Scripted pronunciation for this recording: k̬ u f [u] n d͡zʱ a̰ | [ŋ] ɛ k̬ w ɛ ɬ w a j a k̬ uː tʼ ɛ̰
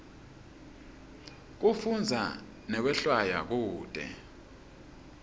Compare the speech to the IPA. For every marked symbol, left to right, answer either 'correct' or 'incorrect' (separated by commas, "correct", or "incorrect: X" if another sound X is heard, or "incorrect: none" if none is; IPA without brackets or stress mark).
correct, incorrect: n